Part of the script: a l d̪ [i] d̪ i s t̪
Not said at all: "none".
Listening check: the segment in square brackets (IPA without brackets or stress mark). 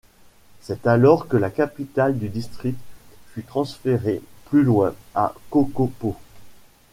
y